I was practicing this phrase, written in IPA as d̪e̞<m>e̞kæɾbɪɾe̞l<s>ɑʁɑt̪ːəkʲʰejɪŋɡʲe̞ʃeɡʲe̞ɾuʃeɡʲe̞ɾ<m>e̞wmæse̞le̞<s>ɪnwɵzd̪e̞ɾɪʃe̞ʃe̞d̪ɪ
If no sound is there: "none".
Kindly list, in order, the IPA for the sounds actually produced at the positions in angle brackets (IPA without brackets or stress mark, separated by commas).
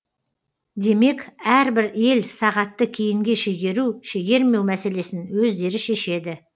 m, s, m, s